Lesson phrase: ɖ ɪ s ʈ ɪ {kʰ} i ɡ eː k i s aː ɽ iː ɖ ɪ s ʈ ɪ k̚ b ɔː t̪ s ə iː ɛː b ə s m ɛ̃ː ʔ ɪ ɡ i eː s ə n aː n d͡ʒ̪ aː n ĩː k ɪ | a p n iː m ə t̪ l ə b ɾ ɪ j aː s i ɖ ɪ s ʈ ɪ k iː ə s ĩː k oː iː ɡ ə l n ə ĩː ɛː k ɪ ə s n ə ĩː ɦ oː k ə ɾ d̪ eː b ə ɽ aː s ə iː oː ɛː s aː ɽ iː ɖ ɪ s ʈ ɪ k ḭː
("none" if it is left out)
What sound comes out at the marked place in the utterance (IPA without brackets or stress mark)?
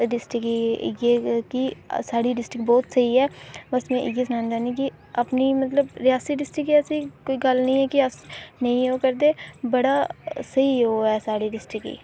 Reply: k